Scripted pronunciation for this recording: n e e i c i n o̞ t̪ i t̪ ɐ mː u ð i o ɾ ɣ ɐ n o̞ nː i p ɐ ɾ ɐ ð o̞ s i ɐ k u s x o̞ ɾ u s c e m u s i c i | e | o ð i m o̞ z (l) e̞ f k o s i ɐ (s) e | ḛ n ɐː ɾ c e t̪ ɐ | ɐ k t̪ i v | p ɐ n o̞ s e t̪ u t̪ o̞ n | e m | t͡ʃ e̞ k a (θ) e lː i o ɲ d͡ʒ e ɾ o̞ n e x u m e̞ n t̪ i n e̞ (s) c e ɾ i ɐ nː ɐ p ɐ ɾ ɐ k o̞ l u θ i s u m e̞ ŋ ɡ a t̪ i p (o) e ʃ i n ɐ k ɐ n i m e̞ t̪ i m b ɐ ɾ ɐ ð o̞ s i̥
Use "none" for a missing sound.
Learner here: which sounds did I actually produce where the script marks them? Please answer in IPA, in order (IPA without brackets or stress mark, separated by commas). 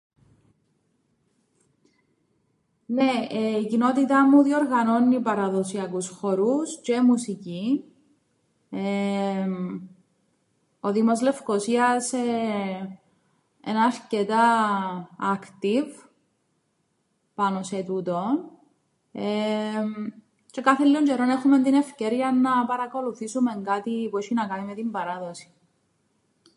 l, s, θ, f, u